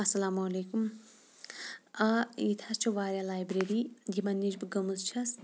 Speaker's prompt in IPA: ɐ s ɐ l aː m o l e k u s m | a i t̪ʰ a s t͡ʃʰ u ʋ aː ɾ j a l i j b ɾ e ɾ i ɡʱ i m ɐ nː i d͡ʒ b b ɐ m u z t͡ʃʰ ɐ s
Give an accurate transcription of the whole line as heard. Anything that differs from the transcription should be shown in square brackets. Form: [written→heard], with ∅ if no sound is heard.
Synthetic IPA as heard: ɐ s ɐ l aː m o l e k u [s→∅] m | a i t̪ʰ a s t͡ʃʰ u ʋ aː ɾ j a l [i→a] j b ɾ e ɾ i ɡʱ i m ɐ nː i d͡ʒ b [b→ɡ] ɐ m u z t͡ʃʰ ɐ s